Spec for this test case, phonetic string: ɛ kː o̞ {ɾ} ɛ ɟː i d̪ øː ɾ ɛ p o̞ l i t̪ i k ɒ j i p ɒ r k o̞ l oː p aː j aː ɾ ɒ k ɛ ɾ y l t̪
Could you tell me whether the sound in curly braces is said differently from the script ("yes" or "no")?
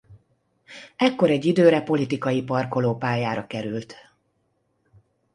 no